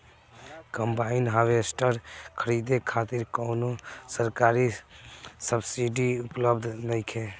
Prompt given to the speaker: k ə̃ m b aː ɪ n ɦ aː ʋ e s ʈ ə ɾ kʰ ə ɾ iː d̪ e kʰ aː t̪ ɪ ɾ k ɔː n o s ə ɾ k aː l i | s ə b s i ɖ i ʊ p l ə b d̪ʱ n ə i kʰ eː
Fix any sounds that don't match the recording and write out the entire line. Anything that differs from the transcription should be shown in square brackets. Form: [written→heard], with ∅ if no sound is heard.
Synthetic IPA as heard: k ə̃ m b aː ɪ n ɦ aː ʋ e s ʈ ə ɾ kʰ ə ɾ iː d̪ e kʰ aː t̪ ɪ ɾ k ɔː n o s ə ɾ k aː [l→ɾ] i | s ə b s i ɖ i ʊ p l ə b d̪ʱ n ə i kʰ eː